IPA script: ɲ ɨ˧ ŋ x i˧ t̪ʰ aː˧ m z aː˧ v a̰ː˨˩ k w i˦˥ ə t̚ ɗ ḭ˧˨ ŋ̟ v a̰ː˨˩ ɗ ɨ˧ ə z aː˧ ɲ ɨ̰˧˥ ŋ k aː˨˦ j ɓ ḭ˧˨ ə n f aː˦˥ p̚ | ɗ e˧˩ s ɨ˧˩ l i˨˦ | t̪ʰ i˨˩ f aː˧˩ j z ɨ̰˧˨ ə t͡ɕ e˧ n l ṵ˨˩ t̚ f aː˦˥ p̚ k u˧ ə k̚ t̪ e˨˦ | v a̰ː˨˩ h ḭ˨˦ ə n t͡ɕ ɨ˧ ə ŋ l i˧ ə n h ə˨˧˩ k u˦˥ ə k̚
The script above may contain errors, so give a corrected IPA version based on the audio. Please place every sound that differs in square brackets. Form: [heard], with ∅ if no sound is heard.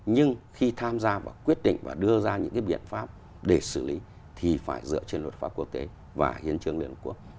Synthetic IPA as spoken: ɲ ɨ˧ ŋ x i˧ t̪ʰ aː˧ m z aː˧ v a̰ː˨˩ k w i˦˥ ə t̚ ɗ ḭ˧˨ ŋ̟ v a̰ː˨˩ ɗ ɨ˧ ə z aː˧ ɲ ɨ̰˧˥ ŋ k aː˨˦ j ɓ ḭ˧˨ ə n f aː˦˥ p̚ | ɗ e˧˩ s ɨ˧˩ l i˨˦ | t̪ʰ i˨˩ f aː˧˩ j z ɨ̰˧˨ ə t͡ɕ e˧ n l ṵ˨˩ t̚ f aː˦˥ p̚ k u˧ ə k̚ t̪ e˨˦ | v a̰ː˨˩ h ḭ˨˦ ə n t͡ɕ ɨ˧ ə ŋ l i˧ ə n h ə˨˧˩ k u˦˥ ə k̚